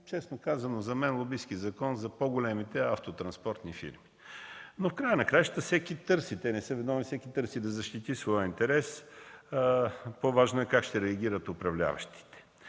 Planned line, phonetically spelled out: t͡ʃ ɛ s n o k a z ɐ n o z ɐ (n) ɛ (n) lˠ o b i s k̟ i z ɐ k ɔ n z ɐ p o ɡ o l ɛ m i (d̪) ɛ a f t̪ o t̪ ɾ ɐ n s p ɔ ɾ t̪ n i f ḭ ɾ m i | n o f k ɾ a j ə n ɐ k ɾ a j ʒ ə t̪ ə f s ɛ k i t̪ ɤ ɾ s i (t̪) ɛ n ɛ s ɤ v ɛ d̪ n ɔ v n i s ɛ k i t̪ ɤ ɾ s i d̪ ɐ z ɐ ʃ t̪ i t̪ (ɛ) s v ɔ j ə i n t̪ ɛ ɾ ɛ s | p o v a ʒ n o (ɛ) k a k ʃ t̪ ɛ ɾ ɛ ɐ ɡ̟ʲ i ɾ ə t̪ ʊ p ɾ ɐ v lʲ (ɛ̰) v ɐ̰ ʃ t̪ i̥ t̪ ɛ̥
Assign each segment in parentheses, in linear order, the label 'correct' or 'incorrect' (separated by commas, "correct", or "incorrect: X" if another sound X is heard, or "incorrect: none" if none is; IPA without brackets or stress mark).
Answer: incorrect: m, correct, incorrect: t̪, correct, incorrect: i, correct, incorrect: a̰